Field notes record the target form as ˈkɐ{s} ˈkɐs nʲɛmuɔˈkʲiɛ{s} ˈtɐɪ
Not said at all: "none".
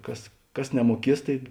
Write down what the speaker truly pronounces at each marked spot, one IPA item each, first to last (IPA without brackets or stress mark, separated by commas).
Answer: s, s